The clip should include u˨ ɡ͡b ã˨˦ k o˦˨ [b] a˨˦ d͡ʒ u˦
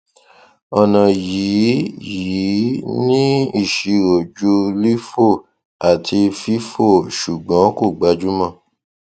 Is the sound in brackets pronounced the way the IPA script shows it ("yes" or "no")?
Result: no